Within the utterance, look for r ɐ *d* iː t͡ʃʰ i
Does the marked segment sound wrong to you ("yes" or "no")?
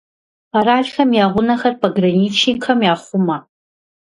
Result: yes